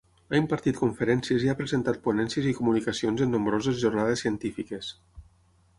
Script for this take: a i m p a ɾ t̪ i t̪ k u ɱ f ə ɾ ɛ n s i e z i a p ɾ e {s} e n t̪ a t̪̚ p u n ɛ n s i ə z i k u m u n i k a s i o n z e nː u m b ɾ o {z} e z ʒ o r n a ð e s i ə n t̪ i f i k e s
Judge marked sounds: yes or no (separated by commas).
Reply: no, yes